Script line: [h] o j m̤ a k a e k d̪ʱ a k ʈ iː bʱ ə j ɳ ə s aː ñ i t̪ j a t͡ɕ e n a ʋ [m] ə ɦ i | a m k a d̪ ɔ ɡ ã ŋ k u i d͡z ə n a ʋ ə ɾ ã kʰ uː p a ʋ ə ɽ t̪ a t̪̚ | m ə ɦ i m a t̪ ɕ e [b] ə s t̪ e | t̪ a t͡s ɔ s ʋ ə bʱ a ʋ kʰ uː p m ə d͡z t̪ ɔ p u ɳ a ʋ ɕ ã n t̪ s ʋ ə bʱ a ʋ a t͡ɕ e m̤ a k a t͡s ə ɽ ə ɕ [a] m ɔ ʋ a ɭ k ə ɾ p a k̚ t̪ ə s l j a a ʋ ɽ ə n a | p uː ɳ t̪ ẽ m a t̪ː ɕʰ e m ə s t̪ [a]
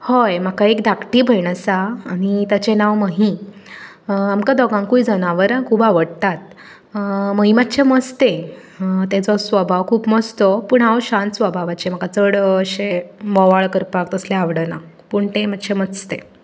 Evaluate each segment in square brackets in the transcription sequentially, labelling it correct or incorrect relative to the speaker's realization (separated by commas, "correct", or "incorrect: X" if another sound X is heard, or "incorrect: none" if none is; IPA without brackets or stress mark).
correct, correct, incorrect: m, incorrect: e, incorrect: e